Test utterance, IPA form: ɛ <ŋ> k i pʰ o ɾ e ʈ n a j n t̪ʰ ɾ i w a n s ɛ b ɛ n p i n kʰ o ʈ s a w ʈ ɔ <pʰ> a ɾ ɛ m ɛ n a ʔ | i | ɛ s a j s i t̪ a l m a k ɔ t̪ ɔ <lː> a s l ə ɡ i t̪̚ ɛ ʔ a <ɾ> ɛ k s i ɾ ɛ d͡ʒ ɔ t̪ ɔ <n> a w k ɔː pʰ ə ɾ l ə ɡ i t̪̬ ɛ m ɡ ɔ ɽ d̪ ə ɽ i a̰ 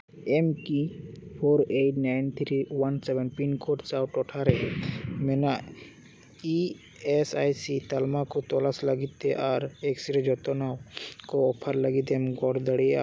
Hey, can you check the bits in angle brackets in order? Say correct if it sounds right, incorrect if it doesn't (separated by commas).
incorrect, incorrect, incorrect, correct, correct